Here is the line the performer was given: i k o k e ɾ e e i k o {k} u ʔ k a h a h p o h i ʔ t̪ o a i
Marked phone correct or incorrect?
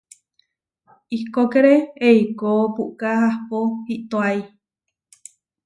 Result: incorrect: p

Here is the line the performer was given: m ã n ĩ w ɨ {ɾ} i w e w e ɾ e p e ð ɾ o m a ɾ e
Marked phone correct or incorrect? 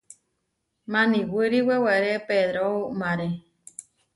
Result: correct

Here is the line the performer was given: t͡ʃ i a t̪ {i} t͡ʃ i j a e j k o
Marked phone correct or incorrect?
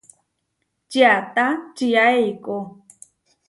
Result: incorrect: a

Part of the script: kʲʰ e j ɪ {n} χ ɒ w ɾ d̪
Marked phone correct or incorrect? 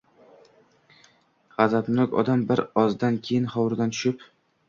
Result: correct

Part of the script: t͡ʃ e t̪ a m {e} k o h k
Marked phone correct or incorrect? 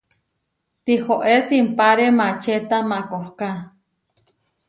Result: incorrect: a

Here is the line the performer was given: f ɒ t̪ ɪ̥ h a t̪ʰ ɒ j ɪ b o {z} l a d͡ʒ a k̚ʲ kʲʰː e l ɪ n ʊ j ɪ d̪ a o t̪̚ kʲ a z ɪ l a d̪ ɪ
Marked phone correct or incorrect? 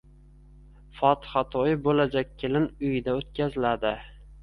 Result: incorrect: none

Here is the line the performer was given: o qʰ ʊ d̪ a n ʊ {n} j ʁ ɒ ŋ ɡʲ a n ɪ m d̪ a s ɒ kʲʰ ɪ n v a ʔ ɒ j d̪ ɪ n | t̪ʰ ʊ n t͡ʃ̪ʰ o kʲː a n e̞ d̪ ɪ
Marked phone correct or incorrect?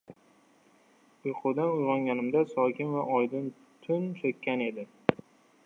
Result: incorrect: none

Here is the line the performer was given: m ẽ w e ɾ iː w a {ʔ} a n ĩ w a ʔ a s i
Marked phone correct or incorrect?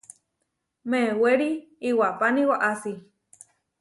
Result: incorrect: p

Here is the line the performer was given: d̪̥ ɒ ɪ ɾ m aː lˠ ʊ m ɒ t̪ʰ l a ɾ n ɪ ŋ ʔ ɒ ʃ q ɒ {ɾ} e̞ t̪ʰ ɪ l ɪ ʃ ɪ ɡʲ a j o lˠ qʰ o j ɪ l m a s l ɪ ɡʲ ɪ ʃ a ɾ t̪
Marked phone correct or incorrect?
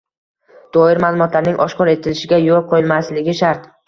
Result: correct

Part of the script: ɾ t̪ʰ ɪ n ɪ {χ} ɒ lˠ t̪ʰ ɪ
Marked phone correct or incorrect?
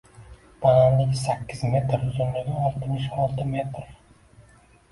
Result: incorrect: ʃ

